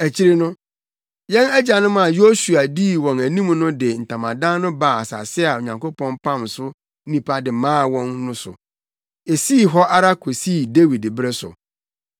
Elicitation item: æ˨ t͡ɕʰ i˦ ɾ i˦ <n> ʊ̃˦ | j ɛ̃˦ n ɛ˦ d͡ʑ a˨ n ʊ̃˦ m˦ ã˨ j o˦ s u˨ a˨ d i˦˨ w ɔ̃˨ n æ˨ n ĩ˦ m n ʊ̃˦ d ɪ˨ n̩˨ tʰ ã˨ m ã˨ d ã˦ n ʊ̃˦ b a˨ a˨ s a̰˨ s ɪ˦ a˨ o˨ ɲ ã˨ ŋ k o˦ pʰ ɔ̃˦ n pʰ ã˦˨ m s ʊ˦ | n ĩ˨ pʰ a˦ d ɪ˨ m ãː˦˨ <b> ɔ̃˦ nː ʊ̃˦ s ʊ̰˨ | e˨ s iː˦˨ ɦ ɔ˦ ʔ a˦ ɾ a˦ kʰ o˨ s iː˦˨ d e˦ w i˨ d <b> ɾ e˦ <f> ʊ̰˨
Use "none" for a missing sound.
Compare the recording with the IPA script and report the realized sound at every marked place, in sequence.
n, w, b, s

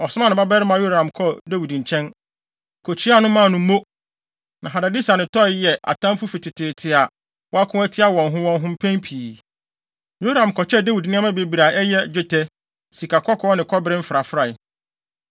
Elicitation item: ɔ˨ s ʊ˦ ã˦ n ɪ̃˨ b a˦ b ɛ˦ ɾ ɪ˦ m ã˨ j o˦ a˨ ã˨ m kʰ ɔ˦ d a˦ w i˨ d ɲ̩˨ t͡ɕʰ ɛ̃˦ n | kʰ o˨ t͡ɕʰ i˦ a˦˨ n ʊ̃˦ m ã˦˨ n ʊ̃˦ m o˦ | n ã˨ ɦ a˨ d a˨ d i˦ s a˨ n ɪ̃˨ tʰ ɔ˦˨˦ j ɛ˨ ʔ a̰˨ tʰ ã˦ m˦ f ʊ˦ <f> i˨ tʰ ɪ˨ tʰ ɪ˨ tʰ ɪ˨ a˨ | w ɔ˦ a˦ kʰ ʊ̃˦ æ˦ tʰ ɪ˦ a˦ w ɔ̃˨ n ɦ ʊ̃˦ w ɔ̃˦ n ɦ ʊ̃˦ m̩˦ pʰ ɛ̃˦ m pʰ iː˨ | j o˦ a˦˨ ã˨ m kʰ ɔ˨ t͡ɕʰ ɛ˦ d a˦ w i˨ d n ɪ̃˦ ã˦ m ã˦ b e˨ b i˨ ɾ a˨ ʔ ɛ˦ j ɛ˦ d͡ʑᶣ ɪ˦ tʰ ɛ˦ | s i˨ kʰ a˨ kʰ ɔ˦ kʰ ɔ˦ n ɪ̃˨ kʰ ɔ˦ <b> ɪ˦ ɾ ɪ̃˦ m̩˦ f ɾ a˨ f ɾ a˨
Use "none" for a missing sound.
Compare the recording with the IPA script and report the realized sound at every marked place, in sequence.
f, b

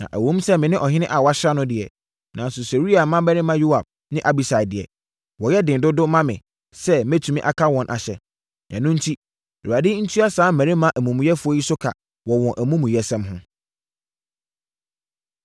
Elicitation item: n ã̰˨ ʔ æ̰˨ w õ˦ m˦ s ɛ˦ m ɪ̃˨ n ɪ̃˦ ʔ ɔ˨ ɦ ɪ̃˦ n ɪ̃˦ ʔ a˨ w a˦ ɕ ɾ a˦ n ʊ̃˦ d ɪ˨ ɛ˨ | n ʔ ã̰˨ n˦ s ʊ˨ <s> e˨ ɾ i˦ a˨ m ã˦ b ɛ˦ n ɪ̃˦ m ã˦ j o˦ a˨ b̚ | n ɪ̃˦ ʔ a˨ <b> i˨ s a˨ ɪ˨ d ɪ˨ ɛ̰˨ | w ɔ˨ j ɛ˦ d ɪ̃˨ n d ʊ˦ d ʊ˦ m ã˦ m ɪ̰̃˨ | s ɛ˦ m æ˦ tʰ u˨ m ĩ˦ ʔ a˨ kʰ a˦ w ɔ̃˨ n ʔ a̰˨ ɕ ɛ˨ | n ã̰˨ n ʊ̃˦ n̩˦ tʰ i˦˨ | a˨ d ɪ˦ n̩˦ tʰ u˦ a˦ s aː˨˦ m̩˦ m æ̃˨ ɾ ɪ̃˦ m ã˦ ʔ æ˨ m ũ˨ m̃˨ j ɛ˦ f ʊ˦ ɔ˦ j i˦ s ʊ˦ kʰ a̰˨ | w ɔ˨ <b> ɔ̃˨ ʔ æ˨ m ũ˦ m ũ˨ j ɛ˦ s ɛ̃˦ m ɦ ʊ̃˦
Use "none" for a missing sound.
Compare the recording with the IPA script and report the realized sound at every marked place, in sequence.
s, b, w

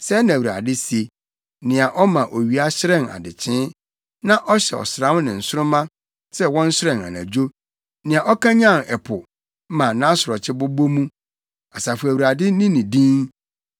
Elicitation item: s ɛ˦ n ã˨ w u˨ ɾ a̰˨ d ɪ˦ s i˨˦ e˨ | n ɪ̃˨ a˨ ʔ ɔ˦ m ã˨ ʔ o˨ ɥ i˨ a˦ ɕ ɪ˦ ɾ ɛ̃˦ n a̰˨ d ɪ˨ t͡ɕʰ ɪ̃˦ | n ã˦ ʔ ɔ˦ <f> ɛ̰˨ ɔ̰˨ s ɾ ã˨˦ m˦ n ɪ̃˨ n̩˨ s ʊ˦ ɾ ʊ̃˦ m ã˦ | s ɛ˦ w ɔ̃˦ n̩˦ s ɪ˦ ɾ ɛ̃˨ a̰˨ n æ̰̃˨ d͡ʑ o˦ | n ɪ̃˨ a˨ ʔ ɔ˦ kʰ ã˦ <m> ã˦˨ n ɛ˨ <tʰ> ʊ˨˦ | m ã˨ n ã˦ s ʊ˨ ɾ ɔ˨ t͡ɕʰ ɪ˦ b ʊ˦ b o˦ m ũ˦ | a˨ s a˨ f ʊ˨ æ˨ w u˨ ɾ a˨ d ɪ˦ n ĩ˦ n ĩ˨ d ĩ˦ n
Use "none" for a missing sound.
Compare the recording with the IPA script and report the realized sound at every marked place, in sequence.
ɕ, ɲ, pʰ

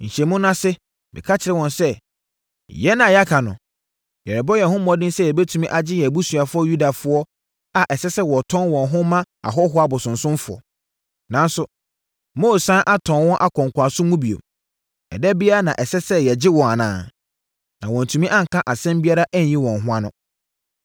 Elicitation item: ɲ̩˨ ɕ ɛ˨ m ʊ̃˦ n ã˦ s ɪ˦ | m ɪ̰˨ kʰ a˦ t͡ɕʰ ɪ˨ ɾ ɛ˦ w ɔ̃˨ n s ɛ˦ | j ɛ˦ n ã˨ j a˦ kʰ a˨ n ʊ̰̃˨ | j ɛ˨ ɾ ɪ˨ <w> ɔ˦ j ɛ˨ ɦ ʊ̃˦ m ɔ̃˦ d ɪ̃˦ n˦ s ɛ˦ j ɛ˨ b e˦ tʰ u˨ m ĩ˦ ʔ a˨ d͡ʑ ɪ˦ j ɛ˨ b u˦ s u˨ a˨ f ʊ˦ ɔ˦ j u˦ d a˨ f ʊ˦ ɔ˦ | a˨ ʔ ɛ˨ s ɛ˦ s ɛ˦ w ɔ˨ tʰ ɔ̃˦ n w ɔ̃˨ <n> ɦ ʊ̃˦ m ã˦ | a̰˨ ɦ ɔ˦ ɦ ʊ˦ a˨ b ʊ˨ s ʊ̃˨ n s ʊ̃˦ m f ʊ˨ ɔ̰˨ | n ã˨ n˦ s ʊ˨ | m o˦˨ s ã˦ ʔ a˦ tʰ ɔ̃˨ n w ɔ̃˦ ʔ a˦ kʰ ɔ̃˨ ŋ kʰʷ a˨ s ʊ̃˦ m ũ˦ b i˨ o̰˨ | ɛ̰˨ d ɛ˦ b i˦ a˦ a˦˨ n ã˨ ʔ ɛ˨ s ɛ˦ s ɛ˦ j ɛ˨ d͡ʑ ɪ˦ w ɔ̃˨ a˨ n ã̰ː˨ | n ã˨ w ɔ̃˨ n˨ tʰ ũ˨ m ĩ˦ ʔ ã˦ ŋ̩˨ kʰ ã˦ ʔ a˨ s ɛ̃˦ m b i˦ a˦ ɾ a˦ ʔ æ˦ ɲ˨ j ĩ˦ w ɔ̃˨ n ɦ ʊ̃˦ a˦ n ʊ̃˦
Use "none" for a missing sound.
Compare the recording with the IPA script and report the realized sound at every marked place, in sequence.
b, n

